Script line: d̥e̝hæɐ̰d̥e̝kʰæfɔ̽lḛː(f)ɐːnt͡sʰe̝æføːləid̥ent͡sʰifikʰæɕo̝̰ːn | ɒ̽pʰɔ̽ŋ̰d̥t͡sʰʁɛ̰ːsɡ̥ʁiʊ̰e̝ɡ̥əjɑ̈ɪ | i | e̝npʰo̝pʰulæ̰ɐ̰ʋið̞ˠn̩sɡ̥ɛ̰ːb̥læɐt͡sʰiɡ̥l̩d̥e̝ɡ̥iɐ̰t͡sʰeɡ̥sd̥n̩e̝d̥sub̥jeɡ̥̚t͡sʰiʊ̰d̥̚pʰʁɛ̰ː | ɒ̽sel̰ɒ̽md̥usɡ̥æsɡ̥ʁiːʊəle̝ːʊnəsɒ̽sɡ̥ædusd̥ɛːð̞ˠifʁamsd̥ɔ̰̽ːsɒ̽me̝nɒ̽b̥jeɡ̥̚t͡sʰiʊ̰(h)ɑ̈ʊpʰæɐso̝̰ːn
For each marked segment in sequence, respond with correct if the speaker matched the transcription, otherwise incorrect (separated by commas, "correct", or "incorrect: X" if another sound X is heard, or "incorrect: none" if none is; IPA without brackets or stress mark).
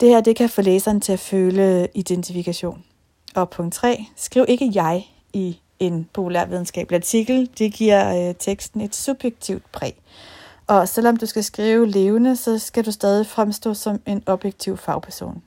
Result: incorrect: s, incorrect: f